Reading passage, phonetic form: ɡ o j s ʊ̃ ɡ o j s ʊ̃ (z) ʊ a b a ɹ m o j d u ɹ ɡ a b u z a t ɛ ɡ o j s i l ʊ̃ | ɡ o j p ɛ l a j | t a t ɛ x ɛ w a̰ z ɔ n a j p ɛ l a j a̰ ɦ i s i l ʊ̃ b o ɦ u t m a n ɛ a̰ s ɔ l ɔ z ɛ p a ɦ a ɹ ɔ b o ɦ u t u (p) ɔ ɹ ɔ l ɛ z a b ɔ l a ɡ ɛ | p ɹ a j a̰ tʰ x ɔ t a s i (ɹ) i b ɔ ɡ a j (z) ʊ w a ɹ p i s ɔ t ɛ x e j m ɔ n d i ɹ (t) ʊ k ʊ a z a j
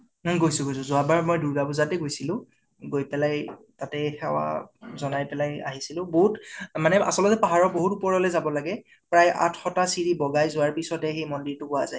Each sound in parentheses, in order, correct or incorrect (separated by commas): correct, correct, correct, correct, correct